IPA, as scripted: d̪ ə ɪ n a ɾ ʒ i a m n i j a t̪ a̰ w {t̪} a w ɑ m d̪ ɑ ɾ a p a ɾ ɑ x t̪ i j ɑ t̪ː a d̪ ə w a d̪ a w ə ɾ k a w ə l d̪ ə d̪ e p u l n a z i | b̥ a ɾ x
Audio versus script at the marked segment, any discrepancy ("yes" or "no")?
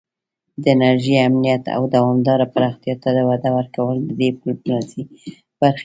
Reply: yes